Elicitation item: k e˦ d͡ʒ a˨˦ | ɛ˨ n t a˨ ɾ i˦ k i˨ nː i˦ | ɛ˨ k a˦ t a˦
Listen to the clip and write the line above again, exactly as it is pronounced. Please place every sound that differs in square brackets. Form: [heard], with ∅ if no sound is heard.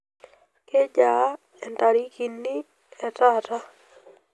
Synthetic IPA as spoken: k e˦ d͡ʒ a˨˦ | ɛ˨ n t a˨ ɾ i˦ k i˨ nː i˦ | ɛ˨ [t] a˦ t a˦

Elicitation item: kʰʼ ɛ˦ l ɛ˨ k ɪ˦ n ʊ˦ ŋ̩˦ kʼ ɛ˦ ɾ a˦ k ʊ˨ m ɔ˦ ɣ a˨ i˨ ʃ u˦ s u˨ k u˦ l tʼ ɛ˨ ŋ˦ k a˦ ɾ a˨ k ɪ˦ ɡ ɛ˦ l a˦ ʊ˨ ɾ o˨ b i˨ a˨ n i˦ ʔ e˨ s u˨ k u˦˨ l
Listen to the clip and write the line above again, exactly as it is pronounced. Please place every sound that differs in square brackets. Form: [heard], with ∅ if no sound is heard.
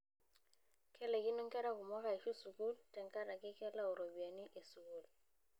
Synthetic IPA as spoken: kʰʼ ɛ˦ l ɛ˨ k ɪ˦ n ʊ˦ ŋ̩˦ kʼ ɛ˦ ɾ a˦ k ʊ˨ m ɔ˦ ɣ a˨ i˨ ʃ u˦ s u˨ k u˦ l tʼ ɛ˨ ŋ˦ k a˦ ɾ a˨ k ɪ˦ [k] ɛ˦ l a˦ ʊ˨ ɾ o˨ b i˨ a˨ n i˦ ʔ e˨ s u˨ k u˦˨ l

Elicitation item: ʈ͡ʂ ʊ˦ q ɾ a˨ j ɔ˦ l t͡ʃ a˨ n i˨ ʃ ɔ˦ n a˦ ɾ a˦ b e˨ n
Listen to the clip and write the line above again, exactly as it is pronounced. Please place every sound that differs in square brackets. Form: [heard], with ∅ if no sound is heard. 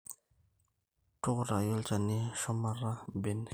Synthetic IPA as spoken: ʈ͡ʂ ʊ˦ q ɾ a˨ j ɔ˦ l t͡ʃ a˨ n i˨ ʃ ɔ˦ [m] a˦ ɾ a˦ b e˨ n

